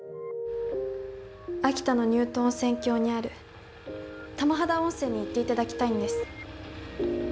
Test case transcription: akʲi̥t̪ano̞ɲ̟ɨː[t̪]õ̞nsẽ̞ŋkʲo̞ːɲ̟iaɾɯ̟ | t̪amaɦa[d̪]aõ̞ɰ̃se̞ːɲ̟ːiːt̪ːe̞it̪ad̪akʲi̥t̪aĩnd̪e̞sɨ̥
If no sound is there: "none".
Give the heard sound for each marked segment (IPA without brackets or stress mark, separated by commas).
t̪, d̪